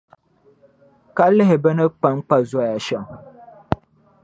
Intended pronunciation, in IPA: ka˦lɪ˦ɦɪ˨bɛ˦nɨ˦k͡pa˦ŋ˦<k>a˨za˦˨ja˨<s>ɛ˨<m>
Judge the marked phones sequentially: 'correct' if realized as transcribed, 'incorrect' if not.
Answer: incorrect, incorrect, incorrect

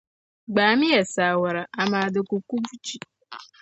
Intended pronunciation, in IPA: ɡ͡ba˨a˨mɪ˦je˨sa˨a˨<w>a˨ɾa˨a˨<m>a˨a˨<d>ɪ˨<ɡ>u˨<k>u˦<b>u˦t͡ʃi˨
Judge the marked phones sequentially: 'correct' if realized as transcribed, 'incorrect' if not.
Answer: correct, correct, correct, incorrect, correct, correct

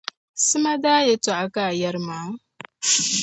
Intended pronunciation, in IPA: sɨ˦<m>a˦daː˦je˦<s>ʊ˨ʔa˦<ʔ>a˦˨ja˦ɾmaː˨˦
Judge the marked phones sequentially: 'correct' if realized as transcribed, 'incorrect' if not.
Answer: correct, incorrect, incorrect

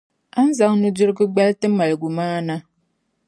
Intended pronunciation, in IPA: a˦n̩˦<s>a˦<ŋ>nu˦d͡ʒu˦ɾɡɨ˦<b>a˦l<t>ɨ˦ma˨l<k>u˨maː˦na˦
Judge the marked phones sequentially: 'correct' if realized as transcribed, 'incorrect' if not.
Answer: incorrect, correct, incorrect, correct, incorrect

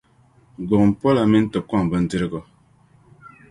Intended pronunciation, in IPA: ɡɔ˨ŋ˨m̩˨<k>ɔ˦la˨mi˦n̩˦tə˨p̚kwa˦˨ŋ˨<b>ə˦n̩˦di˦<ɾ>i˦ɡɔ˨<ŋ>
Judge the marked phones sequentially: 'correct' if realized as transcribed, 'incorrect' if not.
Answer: incorrect, correct, correct, incorrect

